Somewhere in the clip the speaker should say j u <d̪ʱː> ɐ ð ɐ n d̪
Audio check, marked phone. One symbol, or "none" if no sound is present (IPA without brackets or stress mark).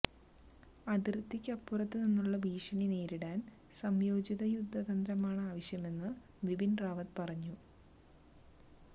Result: d̪ʱː